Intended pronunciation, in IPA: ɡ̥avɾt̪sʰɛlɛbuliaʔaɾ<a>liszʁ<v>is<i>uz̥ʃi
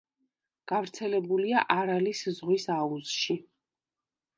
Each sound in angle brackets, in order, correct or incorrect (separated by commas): correct, incorrect, incorrect